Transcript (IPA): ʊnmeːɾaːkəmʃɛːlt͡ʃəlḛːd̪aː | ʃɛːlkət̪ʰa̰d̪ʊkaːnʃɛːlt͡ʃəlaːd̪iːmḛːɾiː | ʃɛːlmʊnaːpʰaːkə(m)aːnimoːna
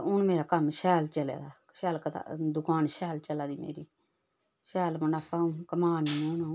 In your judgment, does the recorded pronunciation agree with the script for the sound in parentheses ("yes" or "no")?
yes